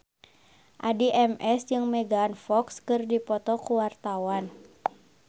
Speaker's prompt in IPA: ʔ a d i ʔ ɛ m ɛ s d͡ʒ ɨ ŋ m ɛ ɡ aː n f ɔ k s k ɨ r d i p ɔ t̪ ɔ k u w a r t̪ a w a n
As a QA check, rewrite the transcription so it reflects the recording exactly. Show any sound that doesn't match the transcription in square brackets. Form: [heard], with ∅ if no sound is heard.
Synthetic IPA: ʔ a d i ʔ ɛ m ɛ s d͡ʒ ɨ ŋ m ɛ ɡ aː n f ɔ k s k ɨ r d i p ɔ t̪ ɔ k u w a r t̪ a w a n

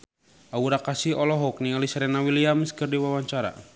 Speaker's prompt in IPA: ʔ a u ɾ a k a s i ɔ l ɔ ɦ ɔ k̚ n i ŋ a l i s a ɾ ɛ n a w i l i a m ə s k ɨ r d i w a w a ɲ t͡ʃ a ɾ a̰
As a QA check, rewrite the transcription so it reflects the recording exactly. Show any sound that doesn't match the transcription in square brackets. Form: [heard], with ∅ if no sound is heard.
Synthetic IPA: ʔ a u ɾ a k a s i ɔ l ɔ ɦ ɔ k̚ n i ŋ a l i s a ɾ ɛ n a w i l i a m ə s k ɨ r d i w a w a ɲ t͡ʃ a ɾ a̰

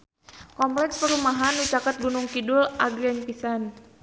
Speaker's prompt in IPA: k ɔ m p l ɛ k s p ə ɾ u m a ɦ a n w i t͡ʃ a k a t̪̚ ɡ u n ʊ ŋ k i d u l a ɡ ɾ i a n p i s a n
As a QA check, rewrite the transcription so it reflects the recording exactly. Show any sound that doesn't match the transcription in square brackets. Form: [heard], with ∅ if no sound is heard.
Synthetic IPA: k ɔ m p l ɛ k s p ə ɾ u m a ɦ a n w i t͡ʃ a k a t̪̚ ɡ u n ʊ ŋ k i d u l a ɡ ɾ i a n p i s a n

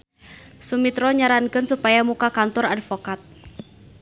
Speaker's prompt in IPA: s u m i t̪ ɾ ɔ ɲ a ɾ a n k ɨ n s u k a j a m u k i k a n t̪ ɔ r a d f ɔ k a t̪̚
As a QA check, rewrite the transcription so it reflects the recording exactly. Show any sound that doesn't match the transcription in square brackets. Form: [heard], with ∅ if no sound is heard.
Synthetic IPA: s u m i t̪ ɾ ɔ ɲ a ɾ a n k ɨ n s u [p] a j a m u k [a] k a n t̪ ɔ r a d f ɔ k a t̪̚

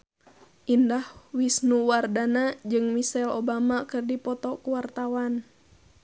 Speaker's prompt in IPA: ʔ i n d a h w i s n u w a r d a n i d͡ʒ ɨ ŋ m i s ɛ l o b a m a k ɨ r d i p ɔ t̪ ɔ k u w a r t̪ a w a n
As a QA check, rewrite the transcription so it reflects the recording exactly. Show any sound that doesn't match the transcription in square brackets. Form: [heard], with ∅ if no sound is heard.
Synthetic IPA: ʔ i n d a h w i s n u w a r d a n [a] d͡ʒ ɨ ŋ m i s ɛ l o b a m a k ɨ r d i p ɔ t̪ ɔ k u w a r t̪ a w a n

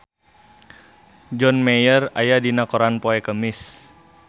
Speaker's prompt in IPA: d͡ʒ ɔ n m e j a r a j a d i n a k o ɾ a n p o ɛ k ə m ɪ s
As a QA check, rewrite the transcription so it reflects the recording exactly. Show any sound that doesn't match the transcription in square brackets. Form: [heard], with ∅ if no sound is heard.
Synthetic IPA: d͡ʒ ɔ n m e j [ə] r a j a d i n a k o ɾ a n p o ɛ k ə m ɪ s

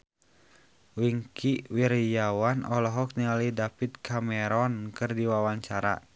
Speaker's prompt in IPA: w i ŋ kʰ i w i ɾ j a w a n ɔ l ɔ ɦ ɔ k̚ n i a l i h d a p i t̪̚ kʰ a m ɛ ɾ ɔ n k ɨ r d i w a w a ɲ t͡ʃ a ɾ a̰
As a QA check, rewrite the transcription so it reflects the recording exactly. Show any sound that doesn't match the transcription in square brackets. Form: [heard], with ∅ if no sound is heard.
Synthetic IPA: w i ŋ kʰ i w i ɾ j a w a n ɔ l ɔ ɦ ɔ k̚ n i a l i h d a p i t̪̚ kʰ a m ɛ ɾ ɔ n k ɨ r d i w a w a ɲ t͡ʃ a ɾ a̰

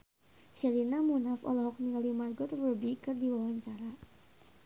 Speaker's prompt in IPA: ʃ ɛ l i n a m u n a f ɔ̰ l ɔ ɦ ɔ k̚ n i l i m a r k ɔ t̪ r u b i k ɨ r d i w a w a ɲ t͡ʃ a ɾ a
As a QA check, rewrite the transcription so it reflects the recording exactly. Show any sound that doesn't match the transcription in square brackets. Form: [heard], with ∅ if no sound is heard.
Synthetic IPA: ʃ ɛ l i n a m u n a f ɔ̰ l ɔ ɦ ɔ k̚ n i l i m a r [ɡ] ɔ t̪ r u b i k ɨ r d i w a w a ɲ t͡ʃ a ɾ a

